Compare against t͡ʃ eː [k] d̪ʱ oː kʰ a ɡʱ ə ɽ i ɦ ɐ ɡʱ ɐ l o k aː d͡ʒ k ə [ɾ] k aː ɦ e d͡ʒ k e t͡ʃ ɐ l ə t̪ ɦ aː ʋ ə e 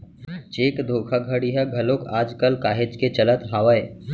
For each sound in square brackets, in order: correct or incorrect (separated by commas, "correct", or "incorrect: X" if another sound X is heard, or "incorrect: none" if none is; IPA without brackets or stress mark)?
correct, incorrect: l